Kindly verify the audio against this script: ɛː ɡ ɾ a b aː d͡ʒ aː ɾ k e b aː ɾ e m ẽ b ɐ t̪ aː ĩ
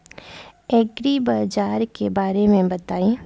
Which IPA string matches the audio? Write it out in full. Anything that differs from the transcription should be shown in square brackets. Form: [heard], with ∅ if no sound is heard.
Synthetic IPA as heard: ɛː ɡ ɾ [i] b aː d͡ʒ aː ɾ k e b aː ɾ e m ẽ b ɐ t̪ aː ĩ